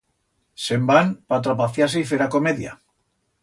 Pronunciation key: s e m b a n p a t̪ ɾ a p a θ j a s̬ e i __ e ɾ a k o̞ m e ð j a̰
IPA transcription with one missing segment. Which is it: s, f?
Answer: f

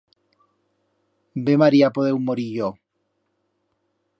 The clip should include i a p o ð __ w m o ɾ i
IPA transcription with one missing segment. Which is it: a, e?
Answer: e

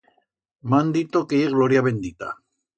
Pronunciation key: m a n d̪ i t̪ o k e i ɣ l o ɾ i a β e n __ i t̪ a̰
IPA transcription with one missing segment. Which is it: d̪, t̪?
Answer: d̪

